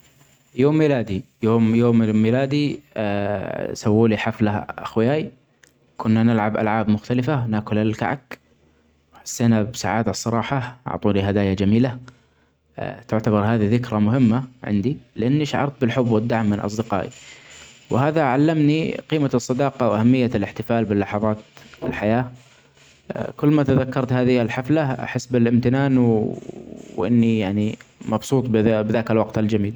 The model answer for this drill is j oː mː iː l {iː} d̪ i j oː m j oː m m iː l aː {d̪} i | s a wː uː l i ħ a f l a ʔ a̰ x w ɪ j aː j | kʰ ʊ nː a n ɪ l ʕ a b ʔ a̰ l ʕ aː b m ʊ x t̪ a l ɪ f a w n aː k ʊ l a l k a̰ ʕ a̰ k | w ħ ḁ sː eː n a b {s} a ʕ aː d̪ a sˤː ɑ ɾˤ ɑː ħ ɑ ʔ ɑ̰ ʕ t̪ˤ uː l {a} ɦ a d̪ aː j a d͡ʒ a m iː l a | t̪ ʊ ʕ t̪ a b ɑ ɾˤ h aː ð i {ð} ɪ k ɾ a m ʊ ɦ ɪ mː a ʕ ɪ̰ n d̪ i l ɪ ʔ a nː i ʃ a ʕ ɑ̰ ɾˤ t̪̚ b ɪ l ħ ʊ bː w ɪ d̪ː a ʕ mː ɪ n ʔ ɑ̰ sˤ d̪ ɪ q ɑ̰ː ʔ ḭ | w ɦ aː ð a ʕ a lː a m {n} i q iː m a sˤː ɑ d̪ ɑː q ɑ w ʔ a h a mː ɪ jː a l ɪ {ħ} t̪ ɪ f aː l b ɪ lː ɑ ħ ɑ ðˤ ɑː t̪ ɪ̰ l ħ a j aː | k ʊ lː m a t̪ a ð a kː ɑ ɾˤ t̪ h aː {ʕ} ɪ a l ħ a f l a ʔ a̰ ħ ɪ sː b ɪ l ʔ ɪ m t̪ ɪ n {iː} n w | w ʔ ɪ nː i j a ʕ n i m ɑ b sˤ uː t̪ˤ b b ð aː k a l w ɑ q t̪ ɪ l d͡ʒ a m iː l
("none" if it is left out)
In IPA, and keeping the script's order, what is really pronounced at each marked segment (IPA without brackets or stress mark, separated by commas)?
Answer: aː, d̪, s, i, ð, n, ħ, ð, aː